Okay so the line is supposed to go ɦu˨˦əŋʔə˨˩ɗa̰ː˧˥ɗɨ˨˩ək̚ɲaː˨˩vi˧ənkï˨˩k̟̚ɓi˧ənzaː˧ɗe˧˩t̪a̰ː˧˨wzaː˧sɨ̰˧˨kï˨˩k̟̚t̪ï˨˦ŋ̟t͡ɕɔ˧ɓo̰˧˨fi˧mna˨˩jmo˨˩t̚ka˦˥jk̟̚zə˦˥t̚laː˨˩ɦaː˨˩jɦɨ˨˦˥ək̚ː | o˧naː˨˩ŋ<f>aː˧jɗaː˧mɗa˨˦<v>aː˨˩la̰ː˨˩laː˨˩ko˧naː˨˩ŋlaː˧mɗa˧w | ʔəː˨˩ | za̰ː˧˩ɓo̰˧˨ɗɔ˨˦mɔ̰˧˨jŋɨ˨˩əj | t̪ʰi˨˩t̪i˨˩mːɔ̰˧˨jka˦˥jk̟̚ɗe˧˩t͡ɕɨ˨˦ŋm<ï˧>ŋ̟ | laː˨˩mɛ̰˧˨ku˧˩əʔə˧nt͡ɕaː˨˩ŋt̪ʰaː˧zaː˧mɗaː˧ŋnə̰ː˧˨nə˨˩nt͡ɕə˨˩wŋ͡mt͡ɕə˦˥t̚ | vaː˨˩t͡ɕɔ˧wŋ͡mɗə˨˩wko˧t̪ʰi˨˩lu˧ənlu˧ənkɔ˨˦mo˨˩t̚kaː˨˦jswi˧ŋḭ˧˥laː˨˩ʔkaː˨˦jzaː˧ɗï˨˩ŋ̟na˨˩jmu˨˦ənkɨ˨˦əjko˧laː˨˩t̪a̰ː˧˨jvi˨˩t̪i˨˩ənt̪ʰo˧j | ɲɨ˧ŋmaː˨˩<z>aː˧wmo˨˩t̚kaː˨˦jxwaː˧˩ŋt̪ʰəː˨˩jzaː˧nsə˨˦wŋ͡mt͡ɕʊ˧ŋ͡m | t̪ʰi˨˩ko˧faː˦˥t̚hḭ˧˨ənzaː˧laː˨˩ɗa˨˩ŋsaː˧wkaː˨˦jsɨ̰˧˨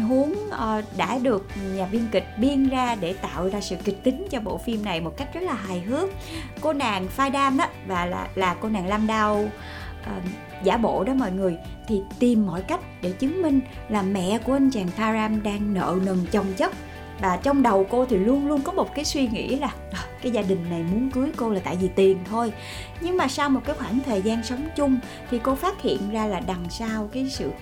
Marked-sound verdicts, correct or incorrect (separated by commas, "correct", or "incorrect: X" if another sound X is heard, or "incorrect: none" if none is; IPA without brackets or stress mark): correct, correct, correct, incorrect: s